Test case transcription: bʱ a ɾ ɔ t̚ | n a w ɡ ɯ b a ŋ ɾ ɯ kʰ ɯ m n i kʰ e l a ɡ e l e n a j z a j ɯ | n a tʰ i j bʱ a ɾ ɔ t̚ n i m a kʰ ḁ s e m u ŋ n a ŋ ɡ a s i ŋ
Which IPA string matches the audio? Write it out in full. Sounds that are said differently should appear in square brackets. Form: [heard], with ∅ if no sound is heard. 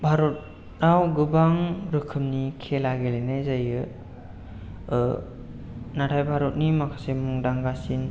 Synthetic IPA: bʱ a ɾ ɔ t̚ | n a w ɡ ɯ b a ŋ ɾ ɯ kʰ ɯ m n i kʰ e l a ɡ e l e n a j z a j ɯ | n a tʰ [a] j bʱ a ɾ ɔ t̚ n i m a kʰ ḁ s e m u ŋ [d] a ŋ ɡ a s i [n]